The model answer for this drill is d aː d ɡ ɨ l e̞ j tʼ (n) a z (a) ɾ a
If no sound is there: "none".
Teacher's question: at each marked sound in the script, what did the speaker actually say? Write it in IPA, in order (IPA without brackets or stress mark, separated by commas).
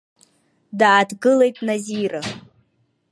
n, i